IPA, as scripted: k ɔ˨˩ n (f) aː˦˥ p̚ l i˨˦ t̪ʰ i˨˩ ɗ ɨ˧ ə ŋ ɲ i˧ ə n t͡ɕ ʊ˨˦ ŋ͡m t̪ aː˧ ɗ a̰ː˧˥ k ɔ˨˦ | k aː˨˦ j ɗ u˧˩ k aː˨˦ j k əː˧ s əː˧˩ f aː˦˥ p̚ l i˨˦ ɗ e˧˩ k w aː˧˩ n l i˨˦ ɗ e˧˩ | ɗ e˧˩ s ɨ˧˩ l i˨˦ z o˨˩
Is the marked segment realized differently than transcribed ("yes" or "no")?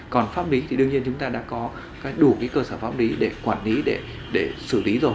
no